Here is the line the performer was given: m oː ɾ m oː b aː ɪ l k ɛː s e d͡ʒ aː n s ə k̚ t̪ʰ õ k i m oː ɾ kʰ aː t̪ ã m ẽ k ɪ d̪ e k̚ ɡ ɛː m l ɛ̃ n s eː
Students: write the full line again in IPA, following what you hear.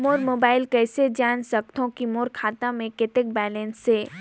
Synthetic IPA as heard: m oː ɾ m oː b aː ɪ l k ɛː s e d͡ʒ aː n s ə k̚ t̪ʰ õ k i m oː ɾ kʰ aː t̪ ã m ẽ k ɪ t̪ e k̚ b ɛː l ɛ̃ n s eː